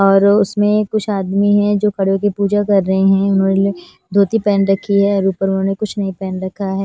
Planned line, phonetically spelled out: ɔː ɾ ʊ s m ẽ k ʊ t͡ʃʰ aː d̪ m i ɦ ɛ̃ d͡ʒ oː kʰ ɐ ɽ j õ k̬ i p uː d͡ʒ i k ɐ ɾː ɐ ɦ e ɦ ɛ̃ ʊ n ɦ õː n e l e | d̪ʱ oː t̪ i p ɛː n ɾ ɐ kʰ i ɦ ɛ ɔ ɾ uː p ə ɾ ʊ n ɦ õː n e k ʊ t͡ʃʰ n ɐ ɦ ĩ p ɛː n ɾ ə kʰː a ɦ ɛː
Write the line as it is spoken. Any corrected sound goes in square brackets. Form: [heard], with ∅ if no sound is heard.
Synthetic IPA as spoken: ɔː ɾ ʊ s m ẽ k ʊ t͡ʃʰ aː d̪ m i ɦ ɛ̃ d͡ʒ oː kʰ ɐ ɽ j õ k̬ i p uː d͡ʒ [a] k ɐ ɾː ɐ ɦ e ɦ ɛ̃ ʊ n ɦ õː n e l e | d̪ʱ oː t̪ i p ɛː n ɾ ɐ kʰ i ɦ ɛ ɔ ɾ uː p ə ɾ ʊ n ɦ õː n e k ʊ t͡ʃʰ n ɐ ɦ ĩ p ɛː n ɾ [ɐ] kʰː a ɦ ɛː